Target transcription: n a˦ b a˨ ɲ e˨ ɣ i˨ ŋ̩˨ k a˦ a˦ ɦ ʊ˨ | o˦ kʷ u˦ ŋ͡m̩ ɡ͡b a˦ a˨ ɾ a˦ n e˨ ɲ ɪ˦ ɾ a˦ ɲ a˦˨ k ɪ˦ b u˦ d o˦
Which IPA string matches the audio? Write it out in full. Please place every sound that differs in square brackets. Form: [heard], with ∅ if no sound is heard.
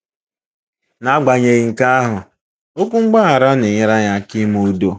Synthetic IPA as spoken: n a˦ [ɡ͡b] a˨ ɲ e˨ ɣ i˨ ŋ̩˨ k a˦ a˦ ɦ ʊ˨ | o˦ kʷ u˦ ŋ͡m̩ ɡ͡b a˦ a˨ ɾ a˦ n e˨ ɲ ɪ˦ ɾ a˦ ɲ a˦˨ k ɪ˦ [m] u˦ d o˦